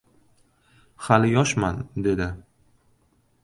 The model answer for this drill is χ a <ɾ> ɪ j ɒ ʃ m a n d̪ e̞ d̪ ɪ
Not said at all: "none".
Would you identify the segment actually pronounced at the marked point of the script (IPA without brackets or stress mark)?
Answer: l